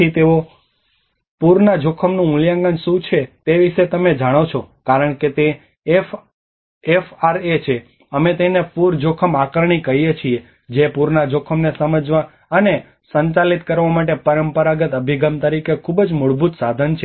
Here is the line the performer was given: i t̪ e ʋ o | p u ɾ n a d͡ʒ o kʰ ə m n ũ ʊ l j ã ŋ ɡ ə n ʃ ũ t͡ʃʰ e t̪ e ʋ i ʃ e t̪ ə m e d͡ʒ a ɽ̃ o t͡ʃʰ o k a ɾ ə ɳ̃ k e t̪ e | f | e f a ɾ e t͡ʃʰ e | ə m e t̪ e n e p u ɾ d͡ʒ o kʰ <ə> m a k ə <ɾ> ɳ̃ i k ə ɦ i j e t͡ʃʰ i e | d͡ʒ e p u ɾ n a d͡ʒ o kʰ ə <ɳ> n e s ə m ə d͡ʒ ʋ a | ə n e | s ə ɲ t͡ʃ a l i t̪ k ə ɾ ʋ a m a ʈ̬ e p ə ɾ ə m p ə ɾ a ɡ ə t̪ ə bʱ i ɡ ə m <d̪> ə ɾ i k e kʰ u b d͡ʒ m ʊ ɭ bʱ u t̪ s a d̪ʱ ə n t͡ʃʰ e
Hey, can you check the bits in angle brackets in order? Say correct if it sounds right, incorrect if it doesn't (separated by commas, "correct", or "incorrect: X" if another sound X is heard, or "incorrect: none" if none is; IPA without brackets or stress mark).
correct, correct, incorrect: m, incorrect: t̪